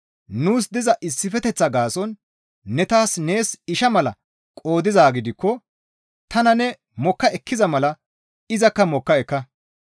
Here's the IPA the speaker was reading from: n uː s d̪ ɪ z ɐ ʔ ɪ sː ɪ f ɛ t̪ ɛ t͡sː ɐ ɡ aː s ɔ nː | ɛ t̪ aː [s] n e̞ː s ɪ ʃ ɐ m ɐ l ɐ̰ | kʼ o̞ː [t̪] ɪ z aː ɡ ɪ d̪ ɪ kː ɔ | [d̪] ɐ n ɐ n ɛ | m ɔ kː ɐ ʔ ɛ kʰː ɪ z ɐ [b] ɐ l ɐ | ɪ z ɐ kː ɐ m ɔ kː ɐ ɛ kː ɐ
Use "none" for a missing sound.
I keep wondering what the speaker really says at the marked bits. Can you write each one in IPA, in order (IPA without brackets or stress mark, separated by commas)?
s, d̪, t̪, m